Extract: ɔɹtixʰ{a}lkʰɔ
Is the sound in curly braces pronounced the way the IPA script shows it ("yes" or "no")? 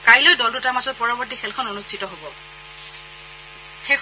no